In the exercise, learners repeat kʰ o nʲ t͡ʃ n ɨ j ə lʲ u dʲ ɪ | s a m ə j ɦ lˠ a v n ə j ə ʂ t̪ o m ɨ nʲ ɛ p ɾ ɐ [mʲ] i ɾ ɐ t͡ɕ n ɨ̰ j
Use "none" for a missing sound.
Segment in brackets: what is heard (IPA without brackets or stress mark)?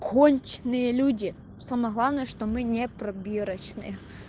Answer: bʲ